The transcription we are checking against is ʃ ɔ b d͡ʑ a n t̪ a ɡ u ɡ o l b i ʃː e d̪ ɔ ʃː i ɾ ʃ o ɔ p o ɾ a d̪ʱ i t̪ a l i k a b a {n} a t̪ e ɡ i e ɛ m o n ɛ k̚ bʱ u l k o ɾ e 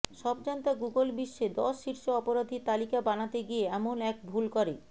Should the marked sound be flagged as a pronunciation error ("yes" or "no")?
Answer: no